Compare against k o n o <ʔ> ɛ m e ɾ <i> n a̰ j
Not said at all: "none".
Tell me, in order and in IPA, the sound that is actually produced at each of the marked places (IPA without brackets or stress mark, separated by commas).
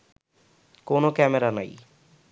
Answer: k, a